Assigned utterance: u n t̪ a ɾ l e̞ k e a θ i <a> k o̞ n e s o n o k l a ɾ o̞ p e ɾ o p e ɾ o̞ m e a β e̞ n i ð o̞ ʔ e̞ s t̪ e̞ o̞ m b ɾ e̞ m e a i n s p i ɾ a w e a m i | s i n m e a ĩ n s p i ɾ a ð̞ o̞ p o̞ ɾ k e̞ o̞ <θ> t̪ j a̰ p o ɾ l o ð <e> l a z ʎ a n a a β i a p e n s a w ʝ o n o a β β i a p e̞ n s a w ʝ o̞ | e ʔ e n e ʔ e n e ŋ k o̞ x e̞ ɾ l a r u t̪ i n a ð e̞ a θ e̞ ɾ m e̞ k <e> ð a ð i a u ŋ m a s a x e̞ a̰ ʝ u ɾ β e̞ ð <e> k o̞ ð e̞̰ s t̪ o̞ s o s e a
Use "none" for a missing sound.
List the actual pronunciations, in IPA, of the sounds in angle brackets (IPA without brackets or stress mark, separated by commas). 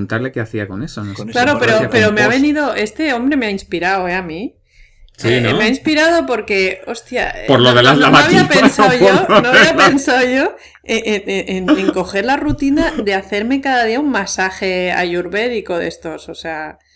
a, s, e, a, i